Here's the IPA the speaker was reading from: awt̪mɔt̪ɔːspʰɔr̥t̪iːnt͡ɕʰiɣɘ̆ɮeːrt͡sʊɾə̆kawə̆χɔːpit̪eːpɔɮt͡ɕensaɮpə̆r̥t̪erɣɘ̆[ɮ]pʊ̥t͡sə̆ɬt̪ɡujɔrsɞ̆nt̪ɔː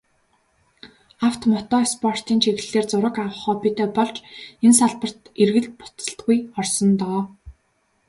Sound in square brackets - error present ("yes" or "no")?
no